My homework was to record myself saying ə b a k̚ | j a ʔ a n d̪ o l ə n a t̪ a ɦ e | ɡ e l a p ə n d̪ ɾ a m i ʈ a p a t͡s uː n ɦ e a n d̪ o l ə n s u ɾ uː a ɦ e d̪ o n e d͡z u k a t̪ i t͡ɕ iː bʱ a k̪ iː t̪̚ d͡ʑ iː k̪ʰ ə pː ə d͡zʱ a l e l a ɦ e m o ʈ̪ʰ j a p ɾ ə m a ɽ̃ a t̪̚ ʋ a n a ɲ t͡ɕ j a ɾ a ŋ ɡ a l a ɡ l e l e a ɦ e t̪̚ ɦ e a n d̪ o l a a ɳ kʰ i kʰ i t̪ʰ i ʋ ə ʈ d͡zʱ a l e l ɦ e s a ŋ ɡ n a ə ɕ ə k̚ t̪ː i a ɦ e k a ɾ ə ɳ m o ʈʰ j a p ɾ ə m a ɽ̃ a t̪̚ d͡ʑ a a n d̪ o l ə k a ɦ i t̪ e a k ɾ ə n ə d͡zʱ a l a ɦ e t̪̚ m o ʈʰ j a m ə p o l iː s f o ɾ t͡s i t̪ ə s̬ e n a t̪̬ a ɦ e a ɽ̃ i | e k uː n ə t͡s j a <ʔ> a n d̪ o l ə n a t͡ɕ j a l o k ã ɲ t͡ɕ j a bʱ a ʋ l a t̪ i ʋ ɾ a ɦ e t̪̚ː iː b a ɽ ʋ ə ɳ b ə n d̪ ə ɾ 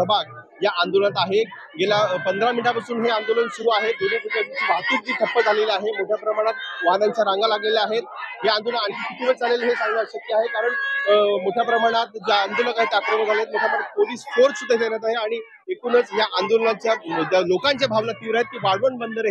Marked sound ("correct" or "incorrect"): correct